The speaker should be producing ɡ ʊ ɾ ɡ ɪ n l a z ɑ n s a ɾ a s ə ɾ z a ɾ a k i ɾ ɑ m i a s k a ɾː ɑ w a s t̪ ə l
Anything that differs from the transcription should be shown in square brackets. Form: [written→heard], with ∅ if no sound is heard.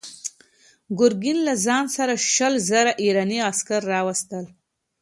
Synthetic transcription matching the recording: ɡ ʊ ɾ ɡ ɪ n l a z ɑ n s a ɾ a [s→ʃ] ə [ɾ→l] z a ɾ a [k→ʔ] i ɾ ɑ [m→n] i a s k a ɾː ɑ w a s t̪ ə l